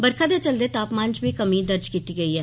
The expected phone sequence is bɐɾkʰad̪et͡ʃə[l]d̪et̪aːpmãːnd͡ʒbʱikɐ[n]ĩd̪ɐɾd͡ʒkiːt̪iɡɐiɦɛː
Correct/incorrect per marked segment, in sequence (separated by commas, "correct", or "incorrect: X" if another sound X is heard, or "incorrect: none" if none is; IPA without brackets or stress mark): correct, incorrect: m